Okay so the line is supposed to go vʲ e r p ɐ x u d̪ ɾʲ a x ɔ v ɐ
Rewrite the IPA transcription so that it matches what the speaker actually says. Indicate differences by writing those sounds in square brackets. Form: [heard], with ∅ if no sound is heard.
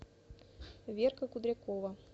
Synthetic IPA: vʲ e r [k] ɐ [k] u d̪ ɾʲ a [k] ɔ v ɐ

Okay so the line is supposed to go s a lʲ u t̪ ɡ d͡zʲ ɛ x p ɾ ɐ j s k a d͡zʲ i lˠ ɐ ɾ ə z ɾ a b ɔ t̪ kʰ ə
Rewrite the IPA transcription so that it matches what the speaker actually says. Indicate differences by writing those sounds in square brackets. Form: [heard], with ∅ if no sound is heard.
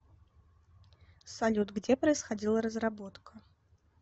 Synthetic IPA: s a lʲ u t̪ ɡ d͡zʲ ɛ [∅] p ɾ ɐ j s [x] a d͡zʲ i lˠ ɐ ɾ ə z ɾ a b ɔ t̪ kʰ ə

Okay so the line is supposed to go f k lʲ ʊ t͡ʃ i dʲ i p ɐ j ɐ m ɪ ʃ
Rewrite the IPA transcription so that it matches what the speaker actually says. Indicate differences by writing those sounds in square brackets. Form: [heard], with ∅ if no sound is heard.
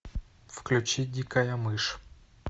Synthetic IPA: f k lʲ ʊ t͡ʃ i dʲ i [k] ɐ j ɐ m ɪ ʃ

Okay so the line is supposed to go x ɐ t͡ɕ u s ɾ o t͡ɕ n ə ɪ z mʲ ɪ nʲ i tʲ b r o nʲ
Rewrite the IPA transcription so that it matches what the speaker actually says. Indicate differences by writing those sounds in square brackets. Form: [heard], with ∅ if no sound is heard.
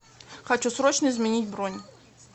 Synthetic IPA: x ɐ t͡ɕ u s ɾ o t͡ɕ n ə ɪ z mʲ ɪ nʲ i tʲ b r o nʲ

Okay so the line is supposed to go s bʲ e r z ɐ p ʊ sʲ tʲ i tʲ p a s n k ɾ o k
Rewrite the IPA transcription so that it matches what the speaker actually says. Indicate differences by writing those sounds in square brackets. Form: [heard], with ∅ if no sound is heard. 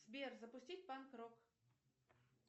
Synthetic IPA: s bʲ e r z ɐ p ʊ sʲ tʲ i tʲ p a [∅] n k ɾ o k

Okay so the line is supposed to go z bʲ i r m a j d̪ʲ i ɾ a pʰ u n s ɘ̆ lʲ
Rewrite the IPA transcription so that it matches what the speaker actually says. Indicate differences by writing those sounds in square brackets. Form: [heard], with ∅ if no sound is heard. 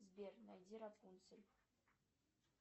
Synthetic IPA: z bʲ [e] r [n] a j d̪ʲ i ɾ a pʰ u n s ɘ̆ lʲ

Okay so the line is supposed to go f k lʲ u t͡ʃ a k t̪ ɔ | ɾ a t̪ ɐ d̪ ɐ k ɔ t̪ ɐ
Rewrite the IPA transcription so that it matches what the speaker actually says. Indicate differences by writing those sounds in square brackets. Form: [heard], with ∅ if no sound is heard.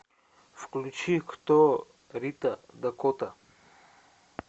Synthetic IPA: f k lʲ u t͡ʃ [i] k t̪ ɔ | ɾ [i] t̪ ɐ d̪ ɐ k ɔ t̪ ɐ

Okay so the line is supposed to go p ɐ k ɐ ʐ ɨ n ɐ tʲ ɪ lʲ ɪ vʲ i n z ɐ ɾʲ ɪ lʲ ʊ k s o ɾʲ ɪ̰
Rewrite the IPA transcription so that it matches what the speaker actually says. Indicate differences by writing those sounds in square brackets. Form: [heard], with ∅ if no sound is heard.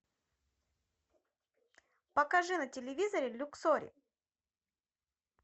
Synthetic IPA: p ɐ k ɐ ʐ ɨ n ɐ tʲ ɪ lʲ ɪ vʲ i [∅] z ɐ ɾʲ ɪ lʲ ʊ k s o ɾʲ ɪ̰

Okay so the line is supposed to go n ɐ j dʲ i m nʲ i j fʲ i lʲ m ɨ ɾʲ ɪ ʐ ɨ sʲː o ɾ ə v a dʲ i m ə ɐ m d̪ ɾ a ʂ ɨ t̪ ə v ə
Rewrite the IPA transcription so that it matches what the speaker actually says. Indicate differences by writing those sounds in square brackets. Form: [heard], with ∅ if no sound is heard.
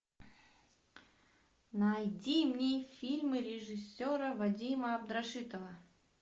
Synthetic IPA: n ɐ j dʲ i m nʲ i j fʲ i lʲ m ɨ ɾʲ ɪ ʐ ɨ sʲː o ɾ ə v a dʲ i m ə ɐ [b] d̪ ɾ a ʂ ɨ t̪ ə v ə

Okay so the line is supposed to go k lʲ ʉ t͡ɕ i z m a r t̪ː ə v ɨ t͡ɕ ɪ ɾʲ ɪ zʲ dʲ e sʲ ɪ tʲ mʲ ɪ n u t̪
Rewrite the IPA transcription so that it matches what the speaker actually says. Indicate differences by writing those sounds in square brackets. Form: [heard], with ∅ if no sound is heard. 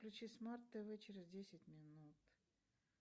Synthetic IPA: k lʲ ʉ t͡ɕ i [s] m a r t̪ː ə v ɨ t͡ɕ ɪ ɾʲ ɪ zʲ dʲ e sʲ ɪ tʲ mʲ ɪ n u t̪

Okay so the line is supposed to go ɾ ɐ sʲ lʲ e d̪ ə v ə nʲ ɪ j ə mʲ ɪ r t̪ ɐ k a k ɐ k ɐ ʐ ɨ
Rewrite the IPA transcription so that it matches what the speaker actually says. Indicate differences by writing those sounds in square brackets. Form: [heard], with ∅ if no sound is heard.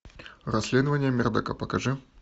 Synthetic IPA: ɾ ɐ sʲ lʲ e d̪ ə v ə nʲ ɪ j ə mʲ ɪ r [d̪] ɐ k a [p] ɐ k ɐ ʐ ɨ

